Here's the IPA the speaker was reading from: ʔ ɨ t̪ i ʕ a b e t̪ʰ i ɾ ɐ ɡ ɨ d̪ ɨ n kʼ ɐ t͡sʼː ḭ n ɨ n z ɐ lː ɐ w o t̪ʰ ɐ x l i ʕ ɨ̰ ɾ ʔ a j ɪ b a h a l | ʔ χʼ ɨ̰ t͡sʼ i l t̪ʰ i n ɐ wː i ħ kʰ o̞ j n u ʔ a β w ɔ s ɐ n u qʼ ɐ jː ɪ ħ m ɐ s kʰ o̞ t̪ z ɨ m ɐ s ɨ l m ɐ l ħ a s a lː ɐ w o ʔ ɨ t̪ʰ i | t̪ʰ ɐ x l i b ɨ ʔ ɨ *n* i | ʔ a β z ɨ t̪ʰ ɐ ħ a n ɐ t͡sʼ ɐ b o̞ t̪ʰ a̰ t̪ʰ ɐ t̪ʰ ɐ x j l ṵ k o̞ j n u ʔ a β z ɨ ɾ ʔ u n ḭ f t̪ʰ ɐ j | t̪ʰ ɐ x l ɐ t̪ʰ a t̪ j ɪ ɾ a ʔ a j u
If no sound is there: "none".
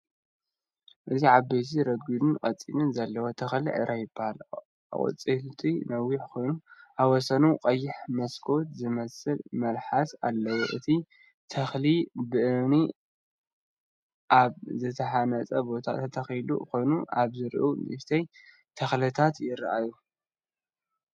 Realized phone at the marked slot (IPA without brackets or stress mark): n